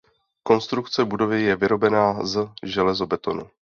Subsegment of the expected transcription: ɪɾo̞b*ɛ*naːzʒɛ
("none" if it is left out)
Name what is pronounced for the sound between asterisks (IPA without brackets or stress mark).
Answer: ɛ